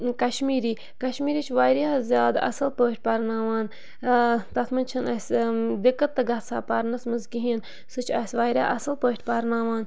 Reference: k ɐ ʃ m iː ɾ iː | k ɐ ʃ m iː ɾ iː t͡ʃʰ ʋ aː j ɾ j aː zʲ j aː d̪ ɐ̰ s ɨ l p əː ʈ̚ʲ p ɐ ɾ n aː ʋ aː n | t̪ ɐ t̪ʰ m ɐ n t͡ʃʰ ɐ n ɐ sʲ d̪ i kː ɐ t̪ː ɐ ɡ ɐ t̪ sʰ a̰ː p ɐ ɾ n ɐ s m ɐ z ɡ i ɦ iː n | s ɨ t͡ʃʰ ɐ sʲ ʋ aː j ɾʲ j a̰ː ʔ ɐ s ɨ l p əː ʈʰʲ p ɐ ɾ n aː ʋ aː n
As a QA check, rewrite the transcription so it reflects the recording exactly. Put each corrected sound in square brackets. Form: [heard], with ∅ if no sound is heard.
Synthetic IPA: k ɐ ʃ m iː ɾ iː | k ɐ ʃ m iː ɾ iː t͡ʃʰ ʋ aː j ɾ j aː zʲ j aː d̪ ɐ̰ s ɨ l p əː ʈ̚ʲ p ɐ ɾ n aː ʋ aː n | t̪ ɐ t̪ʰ m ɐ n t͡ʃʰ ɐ n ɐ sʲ d̪ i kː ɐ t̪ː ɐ ɡ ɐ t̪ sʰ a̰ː p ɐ ɾ n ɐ s m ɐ z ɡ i ɦ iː n | s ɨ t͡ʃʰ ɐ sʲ ʋ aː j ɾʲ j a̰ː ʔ ɐ s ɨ l p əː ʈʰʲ p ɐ ɾ n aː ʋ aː n